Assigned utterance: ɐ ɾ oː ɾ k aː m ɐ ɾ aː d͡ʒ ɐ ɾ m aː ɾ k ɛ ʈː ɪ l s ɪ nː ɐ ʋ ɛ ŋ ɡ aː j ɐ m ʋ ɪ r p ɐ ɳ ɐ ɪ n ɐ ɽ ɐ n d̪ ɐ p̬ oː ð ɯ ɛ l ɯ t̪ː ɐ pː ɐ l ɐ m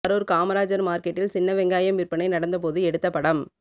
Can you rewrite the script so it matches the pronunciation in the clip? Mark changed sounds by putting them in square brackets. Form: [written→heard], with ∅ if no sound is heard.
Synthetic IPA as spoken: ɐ ɾ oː ɾ k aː m ɐ ɾ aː d͡ʒ ɐ ɾ m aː ɾ k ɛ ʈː ɪ l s ɪ nː ɐ ʋ ɛ ŋ ɡ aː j ɐ m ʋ ɪ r p ɐ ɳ ɐ ɪ n ɐ ɽ ɐ n d̪ ɐ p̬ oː ð ɯ ɛ [l→ɽ] ɯ t̪ː ɐ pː ɐ [l→ɽ] ɐ m

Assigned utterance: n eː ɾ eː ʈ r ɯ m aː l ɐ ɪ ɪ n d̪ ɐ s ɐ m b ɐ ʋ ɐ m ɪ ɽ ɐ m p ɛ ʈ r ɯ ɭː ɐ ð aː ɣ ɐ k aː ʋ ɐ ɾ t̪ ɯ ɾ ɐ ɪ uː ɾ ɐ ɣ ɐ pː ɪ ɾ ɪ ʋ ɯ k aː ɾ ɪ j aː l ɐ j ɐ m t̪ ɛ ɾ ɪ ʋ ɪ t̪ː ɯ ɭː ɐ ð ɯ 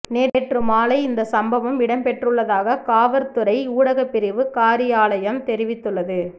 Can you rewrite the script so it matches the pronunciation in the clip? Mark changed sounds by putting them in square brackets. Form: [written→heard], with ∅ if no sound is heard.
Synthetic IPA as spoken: n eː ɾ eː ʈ r ɯ m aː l ɐ ɪ ɪ n d̪ ɐ s ɐ m b ɐ ʋ ɐ m ɪ ɽ ɐ m p ɛ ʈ r ɯ ɭː ɐ ð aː ɣ ɐ k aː ʋ ɐ ɾ t̪ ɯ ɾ ɐ ɪ uː [ɾ→ɽ] ɐ ɣ ɐ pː ɪ ɾ ɪ ʋ ɯ k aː ɾ ɪ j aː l ɐ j ɐ m t̪ ɛ ɾ ɪ ʋ ɪ t̪ː ɯ ɭː ɐ ð ɯ

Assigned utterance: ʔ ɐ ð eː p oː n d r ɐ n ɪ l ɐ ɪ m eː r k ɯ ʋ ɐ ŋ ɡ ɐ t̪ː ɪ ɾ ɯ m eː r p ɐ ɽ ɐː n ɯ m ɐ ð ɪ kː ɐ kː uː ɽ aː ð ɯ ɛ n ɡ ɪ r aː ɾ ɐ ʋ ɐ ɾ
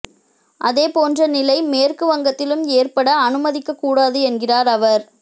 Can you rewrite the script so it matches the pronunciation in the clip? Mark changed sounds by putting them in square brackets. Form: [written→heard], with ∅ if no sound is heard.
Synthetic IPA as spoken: ʔ ɐ ð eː p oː n d r ɐ n ɪ l ɐ ɪ m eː r k ɯ ʋ ɐ ŋ ɡ ɐ t̪ː ɪ [ɾ→l] ɯ m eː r p ɐ ɽ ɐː n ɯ m ɐ ð ɪ kː ɐ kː uː ɽ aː ð ɯ ɛ n ɡ ɪ r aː ɾ ɐ ʋ ɐ ɾ

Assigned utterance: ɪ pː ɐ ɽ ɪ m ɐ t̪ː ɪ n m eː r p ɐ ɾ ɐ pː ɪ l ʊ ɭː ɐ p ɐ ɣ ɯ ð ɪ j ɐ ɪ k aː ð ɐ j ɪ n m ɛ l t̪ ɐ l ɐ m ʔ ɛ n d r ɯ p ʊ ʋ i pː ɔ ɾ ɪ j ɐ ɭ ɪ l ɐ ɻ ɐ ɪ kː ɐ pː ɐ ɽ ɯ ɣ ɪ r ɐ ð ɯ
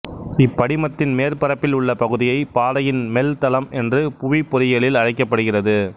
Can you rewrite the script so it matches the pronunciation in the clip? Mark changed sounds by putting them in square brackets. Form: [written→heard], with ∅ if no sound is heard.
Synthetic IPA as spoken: ɪ pː ɐ ɽ ɪ m ɐ t̪ː ɪ n m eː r p ɐ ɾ ɐ pː ɪ l ʊ ɭː ɐ p ɐ ɣ ɯ ð ɪ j ɐ ɪ [k→p] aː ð ɐ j ɪ n m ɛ l t̪ ɐ l ɐ m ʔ ɛ n d r ɯ p ʊ ʋ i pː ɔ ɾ ɪ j ɐ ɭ ɪ l ɐ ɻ ɐ ɪ kː ɐ pː ɐ ɽ ɯ ɣ ɪ r ɐ ð ɯ

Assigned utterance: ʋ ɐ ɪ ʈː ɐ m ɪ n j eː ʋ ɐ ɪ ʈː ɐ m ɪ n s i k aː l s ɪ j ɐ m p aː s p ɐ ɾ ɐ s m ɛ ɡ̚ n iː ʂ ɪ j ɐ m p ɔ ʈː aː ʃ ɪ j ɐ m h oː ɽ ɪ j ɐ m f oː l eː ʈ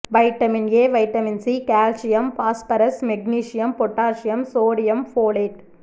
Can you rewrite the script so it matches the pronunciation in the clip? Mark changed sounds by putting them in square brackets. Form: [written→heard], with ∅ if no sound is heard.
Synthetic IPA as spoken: ʋ ɐ ɪ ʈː ɐ m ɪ n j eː ʋ ɐ ɪ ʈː ɐ m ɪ n s i k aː l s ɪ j ɐ m p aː s p ɐ ɾ ɐ s m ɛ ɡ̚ n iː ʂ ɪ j ɐ m p ɔ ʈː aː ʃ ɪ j ɐ m [h→s] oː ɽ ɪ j ɐ m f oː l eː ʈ

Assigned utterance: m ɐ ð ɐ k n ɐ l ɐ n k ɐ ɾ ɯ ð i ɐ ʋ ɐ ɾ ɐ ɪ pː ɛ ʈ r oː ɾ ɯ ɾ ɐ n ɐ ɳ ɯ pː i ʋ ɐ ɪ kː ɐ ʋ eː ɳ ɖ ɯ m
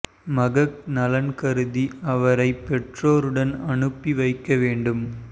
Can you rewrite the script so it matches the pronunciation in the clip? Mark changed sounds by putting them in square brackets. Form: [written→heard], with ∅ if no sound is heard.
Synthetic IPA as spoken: m ɐ [ð→ɣ] ɐ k n ɐ l ɐ n k ɐ ɾ ɯ ð i ɐ ʋ ɐ ɾ ɐ ɪ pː ɛ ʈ r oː ɾ ɯ [ɾ→ɽ] ɐ n ɐ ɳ ɯ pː i ʋ ɐ ɪ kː ɐ ʋ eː ɳ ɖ ɯ m

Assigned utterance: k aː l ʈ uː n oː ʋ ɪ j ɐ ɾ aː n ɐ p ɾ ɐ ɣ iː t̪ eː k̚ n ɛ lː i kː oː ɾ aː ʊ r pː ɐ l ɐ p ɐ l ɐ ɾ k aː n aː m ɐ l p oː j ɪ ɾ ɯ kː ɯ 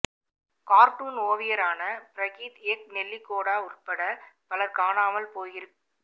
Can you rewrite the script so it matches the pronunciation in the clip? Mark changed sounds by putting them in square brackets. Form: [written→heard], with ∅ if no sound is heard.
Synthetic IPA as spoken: k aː [l→ɾ] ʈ uː n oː ʋ ɪ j ɐ ɾ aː n ɐ p ɾ ɐ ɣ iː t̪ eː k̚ n ɛ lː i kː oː [ɾ→ɽ] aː ʊ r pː ɐ [l→ɽ] ɐ p ɐ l ɐ ɾ k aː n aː m ɐ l p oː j ɪ ɾ ɯ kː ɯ

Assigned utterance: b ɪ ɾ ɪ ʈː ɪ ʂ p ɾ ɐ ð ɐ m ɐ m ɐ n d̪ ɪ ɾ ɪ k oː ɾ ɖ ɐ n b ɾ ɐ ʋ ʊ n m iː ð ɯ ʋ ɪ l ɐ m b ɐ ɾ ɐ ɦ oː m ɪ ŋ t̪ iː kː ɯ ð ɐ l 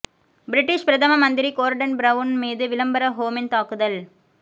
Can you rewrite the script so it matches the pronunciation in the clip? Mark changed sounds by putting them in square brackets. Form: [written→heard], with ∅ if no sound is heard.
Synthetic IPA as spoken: b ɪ ɾ ɪ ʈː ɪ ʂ p ɾ ɐ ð ɐ m ɐ m ɐ n d̪ ɪ ɾ [ɪ→i] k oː ɾ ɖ ɐ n b ɾ ɐ ʋ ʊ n m iː ð ɯ ʋ ɪ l ɐ m b ɐ ɾ ɐ ɦ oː m ɪ [ŋ→n] t̪ [iː→aː] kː ɯ ð ɐ l

